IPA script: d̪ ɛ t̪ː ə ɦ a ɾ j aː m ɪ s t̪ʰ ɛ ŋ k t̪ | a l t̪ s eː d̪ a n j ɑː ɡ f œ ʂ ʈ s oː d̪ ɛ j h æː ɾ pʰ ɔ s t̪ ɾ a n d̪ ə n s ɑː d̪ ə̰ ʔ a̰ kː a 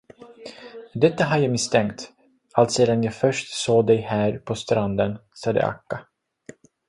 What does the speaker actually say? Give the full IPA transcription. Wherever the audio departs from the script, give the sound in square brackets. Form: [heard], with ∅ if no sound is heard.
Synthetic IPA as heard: d̪ ɛ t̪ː [a] ɦ a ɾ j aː m ɪ s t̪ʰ ɛ ŋ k t̪ | a l t̪ s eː d̪ a n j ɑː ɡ f œ ʂ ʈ s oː d̪ ɛ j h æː ɾ pʰ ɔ s t̪ ɾ a n d̪ ə n s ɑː d̪ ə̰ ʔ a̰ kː a